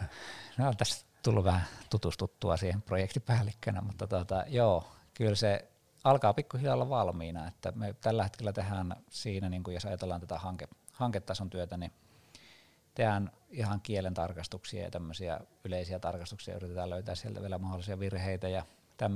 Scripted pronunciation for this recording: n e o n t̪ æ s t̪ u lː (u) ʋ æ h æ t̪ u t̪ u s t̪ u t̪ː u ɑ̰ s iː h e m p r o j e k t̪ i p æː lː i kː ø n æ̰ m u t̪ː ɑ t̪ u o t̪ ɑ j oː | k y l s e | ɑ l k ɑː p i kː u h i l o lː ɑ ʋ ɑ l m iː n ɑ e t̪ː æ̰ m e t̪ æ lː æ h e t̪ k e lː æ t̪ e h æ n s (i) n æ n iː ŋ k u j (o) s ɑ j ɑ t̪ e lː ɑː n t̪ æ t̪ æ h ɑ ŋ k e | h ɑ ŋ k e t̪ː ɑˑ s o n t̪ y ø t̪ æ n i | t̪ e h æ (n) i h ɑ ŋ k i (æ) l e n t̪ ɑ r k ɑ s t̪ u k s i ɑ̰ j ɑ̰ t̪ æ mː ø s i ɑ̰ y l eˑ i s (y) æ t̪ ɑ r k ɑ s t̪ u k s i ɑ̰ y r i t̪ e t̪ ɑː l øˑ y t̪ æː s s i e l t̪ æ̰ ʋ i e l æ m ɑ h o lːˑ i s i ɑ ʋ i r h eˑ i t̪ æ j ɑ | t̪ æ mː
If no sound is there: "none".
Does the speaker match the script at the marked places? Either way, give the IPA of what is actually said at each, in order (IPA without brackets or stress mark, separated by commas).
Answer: u, iː, o, n, e, i